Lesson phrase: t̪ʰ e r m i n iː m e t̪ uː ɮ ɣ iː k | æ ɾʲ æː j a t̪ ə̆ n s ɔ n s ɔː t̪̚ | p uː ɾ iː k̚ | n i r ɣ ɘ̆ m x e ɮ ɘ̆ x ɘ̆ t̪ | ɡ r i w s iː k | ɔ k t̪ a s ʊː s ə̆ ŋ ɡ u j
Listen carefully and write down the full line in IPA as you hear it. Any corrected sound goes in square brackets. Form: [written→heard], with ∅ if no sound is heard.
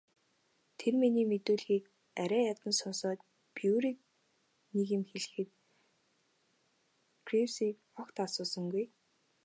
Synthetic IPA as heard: t̪ʰ e r m i n iː m e t̪ uː ɮ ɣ iː k | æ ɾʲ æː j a t̪ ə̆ n s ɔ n s ɔː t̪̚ | p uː ɾ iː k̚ | n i [r→∅] ɣ ɘ̆ m x e ɮ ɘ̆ x ɘ̆ t̪ | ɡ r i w s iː k | ɔ k t̪ a s ʊː s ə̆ ŋ ɡ u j